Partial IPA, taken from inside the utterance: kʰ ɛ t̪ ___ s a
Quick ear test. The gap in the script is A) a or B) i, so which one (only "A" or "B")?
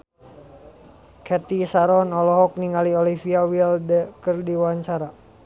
B